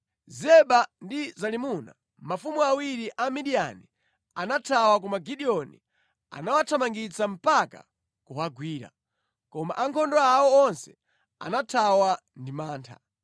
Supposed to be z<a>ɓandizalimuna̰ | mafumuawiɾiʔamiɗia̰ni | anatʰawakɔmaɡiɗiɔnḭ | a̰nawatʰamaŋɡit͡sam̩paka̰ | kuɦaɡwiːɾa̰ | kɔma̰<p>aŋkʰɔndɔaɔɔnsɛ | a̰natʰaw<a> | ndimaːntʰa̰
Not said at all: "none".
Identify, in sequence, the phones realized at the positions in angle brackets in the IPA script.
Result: ɛ, ʔ, a

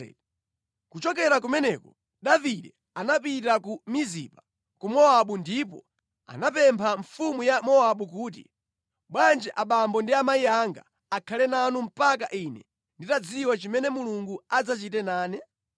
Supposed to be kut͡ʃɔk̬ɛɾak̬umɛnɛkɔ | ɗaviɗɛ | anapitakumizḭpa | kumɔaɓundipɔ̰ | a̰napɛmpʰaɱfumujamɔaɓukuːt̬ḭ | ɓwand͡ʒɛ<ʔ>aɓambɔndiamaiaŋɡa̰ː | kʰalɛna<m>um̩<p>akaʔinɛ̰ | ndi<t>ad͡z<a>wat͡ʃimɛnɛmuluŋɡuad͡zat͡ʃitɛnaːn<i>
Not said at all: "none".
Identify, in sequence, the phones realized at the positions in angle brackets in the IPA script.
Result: ʔ, n, p, t, i, ɛ

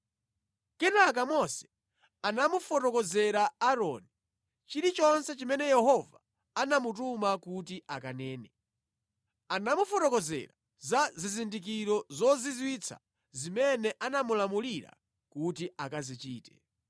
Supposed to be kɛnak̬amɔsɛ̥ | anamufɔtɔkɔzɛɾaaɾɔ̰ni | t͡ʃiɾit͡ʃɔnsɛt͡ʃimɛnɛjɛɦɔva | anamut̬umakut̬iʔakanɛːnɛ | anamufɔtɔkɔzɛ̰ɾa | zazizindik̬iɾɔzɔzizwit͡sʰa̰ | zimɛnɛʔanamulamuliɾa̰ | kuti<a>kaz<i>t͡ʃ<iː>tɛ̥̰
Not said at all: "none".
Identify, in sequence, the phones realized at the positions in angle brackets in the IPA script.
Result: a, i, iː

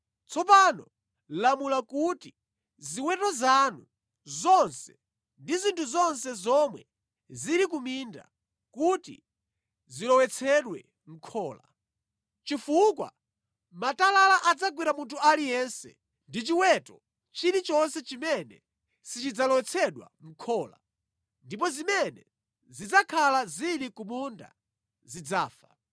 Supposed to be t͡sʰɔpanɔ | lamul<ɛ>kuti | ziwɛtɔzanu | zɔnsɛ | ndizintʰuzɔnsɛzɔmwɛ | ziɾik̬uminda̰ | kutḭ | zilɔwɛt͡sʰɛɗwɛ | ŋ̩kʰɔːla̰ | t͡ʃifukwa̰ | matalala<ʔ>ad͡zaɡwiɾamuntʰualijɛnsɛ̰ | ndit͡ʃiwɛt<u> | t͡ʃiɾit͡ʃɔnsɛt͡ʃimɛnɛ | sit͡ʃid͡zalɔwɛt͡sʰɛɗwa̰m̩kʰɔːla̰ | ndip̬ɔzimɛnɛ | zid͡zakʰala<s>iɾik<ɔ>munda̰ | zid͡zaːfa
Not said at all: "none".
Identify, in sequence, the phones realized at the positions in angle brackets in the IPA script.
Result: a, ʔ, ɔ, z, u

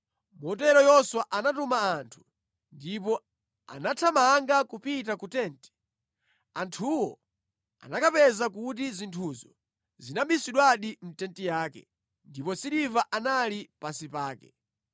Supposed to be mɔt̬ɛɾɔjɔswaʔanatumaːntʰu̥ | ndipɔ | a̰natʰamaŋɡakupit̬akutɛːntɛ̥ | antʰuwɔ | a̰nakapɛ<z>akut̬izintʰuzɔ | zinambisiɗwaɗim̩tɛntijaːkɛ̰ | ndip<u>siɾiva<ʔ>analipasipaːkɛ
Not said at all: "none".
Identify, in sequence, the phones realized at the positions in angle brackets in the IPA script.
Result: z, ɔ, ʔ

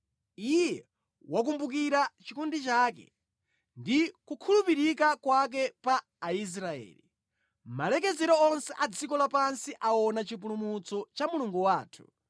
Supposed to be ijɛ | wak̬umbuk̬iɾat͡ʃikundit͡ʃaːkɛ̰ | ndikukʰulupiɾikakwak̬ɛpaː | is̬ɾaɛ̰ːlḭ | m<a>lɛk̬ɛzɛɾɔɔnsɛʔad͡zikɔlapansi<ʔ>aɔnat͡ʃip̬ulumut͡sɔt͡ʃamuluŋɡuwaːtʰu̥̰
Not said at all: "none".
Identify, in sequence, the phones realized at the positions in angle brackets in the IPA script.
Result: a, ʔ

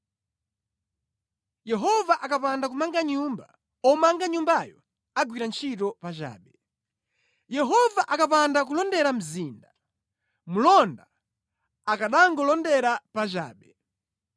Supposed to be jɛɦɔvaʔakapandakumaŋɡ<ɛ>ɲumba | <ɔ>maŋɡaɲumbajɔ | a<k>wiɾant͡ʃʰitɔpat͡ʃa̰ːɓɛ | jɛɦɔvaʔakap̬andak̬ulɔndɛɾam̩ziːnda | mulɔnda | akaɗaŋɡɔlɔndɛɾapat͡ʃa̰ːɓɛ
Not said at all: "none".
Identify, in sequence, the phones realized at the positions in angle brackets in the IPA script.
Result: a, ɔ, ɡ

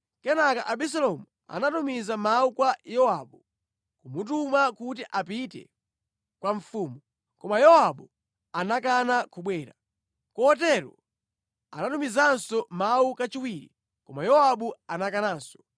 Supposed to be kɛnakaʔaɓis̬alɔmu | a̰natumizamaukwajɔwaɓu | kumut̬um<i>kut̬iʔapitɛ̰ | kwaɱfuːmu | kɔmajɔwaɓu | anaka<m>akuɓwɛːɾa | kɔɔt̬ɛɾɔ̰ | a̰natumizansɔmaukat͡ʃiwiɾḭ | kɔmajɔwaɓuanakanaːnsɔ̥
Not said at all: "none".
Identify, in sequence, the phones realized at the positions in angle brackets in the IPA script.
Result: a, n

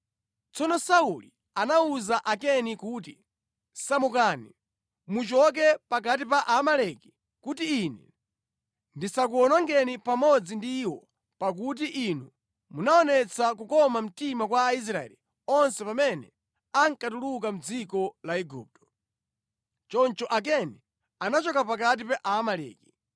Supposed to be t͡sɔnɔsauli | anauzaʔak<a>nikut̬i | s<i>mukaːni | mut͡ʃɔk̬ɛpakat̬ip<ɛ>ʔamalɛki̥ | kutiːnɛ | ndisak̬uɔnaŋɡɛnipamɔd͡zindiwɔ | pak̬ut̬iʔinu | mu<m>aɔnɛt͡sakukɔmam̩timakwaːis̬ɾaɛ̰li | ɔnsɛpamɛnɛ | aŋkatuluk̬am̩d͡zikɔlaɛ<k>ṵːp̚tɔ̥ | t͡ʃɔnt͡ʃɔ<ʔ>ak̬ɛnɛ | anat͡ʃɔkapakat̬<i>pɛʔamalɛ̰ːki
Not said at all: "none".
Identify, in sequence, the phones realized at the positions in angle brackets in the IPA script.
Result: ɛ, a, a, n, ɡ, ʔ, i

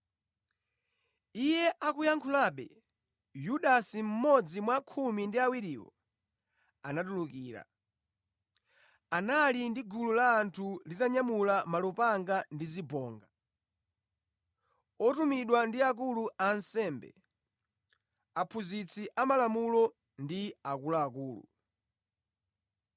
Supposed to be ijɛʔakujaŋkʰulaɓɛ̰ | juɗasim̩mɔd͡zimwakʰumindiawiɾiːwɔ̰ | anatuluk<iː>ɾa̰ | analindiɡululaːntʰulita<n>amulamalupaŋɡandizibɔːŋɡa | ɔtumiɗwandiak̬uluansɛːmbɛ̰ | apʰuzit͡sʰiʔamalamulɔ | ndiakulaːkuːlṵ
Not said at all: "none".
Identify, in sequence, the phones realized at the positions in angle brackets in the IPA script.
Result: iː, ɲ

